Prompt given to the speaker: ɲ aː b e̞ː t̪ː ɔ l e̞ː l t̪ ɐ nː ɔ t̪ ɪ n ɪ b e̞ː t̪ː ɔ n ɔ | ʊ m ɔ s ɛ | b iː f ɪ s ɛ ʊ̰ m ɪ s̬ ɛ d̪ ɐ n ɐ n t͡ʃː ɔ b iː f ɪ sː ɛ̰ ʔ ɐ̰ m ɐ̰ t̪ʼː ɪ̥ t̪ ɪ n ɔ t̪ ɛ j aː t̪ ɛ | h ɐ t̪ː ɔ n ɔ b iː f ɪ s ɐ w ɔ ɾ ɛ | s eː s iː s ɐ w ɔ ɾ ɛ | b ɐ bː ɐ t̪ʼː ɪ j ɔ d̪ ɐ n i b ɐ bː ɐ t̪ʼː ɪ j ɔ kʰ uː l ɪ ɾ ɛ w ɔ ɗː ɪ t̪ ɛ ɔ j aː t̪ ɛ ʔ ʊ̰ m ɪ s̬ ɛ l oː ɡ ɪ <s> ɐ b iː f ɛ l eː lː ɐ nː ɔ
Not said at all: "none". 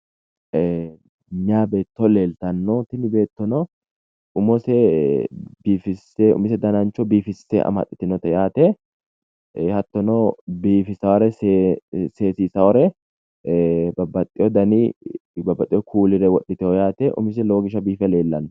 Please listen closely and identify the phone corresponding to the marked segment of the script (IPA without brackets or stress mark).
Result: ʃ